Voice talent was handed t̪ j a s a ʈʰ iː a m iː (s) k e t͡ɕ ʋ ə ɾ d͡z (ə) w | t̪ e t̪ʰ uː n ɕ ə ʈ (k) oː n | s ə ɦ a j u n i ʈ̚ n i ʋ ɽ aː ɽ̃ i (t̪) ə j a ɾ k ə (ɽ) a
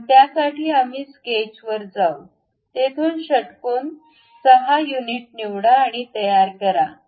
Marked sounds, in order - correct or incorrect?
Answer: correct, incorrect, correct, correct, incorrect

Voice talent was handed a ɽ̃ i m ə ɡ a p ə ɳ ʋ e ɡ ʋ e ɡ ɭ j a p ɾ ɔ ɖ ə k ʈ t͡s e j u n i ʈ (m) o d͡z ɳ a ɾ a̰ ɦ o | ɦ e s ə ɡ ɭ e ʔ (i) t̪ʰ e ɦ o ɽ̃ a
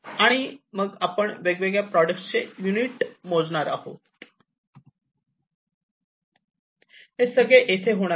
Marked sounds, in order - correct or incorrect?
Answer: correct, incorrect

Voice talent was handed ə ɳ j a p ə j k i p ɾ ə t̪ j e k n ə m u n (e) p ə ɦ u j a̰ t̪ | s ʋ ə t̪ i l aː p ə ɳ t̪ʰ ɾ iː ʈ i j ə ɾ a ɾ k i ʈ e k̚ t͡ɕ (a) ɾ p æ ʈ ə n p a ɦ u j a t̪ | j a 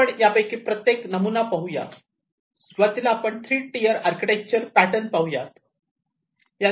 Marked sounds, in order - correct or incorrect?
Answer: incorrect, incorrect

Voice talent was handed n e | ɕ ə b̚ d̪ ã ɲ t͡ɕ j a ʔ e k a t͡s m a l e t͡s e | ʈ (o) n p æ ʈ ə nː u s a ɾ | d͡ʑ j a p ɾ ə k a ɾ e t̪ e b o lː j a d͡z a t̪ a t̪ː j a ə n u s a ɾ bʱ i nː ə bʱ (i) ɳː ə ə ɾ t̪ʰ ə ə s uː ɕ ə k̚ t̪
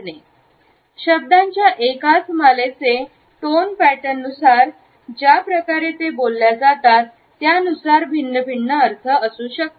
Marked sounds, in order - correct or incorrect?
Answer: correct, correct

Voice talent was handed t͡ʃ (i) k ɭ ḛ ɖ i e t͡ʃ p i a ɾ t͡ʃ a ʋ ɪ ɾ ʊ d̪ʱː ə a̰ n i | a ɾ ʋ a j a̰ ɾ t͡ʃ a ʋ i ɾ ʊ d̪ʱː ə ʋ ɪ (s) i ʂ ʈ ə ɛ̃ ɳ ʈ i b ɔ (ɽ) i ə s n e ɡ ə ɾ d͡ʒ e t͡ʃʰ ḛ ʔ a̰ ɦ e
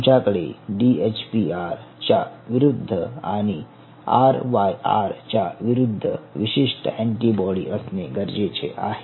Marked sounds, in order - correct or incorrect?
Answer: incorrect, incorrect, correct

